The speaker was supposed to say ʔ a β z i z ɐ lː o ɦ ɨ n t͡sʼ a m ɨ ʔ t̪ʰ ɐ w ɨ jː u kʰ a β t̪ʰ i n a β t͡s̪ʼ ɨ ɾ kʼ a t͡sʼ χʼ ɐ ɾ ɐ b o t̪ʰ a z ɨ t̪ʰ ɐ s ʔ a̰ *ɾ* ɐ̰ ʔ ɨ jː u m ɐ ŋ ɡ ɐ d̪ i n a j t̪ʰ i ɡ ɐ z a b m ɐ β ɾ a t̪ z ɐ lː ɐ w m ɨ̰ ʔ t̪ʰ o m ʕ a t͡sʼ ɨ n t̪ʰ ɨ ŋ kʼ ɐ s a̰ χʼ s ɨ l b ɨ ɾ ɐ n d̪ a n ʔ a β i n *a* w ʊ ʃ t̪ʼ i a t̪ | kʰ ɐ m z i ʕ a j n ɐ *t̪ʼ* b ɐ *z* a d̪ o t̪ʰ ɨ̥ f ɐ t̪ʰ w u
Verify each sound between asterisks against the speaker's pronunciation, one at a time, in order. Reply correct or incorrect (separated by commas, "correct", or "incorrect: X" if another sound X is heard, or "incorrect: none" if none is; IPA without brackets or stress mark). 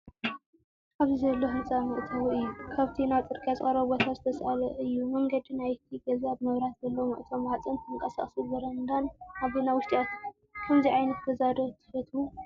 incorrect: l, correct, incorrect: t̪, correct